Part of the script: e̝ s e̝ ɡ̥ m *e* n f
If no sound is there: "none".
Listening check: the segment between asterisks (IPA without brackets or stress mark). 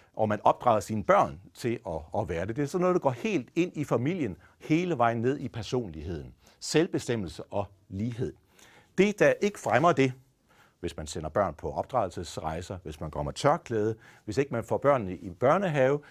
æ